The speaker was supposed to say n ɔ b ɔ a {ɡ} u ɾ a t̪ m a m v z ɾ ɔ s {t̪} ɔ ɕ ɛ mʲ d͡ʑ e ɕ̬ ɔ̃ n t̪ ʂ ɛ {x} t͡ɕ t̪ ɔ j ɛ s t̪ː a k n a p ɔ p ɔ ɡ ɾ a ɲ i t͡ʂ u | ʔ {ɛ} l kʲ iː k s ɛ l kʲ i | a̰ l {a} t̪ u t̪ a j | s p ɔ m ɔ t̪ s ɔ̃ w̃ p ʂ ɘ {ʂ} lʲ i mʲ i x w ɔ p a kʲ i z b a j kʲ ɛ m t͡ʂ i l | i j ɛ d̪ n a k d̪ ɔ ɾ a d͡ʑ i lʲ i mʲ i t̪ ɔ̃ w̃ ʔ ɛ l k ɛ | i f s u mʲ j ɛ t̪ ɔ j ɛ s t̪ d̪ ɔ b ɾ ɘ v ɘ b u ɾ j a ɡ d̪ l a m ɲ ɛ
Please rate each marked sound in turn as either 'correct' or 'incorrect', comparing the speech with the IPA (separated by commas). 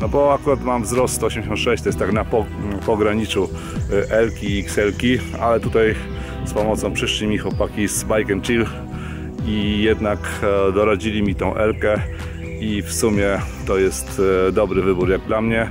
incorrect, correct, incorrect, correct, incorrect, correct